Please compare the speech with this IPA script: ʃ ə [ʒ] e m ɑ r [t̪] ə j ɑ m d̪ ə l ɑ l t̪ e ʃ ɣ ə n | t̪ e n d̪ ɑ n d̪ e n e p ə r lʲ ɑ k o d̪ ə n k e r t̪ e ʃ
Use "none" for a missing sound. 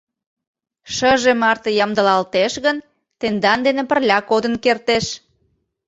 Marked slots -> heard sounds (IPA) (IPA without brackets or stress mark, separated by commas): ʒ, t̪